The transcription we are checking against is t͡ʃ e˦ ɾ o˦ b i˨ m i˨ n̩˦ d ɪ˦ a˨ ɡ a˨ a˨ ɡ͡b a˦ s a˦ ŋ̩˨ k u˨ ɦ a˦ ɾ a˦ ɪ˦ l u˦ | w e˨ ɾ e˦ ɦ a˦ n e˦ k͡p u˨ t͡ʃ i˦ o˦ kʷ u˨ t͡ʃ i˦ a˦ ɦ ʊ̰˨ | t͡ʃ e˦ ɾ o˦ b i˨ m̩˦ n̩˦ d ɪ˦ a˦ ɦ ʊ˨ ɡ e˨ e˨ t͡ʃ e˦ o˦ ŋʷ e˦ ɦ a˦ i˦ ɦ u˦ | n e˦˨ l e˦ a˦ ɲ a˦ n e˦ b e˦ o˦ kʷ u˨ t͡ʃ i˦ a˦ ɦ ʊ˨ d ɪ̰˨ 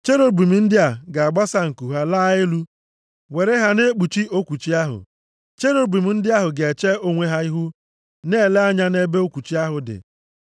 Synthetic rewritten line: t͡ʃ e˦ ɾ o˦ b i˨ m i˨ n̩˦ d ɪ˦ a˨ ɡ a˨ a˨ ɡ͡b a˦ s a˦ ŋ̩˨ k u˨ ɦ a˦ l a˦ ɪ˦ l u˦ | w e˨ ɾ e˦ ɦ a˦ n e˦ k͡p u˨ t͡ʃ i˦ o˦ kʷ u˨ t͡ʃ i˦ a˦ ɦ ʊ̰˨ | t͡ʃ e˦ ɾ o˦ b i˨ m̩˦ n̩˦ d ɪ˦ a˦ ɦ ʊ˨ ɡ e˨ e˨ t͡ʃ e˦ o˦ ŋʷ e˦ ɦ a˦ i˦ ɦ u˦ | n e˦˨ l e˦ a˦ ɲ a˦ n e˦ b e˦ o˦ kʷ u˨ t͡ʃ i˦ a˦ ɦ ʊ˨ d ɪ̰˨